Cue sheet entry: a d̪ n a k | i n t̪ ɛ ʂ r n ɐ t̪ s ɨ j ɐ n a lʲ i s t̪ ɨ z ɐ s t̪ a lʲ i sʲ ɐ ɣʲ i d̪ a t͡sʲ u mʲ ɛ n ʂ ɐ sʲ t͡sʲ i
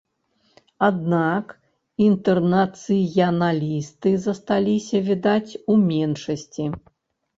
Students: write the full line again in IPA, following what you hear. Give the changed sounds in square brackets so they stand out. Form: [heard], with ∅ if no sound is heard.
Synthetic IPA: a d̪ n a k | i n t̪ ɛ [∅] r n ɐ t̪ s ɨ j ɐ n a lʲ i s t̪ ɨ z ɐ s t̪ a lʲ i sʲ ɐ [vʲ] i d̪ a t͡sʲ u mʲ ɛ n ʂ ɐ sʲ t͡sʲ i